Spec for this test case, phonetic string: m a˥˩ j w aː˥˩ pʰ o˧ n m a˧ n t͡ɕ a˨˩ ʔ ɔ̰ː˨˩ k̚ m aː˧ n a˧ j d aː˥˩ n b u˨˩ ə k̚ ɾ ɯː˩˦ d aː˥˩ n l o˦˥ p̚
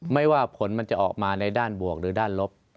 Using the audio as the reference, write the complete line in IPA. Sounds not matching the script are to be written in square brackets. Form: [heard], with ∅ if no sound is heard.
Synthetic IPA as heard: m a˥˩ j w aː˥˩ pʰ [o˩˦] n m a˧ n t͡ɕ a˨˩ ʔ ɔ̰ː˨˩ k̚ m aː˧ n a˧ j d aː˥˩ n b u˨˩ ə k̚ ɾ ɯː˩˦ d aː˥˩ n l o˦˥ p̚